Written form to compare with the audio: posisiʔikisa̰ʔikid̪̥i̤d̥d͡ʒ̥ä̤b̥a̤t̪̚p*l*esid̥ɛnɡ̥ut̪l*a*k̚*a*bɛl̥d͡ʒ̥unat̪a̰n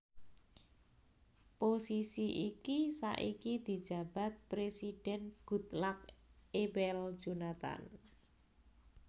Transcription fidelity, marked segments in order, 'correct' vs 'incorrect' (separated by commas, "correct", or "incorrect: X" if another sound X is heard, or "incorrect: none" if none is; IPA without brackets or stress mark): incorrect: ɾ, correct, incorrect: e